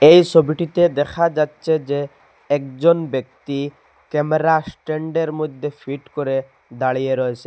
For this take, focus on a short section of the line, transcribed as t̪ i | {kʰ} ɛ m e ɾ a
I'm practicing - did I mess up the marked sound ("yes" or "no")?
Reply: yes